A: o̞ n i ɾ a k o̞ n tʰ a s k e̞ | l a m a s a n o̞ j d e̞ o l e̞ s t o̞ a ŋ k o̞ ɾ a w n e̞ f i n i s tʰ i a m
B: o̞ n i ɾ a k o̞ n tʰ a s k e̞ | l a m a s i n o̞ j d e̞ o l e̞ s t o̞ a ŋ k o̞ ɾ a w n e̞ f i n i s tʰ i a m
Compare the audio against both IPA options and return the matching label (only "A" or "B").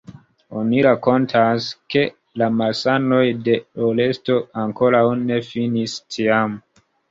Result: A